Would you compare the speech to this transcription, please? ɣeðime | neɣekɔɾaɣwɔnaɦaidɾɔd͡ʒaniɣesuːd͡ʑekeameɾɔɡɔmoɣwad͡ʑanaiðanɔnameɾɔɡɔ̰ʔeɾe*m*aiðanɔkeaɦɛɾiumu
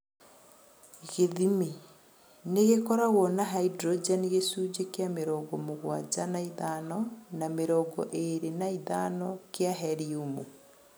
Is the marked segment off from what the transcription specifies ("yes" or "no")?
yes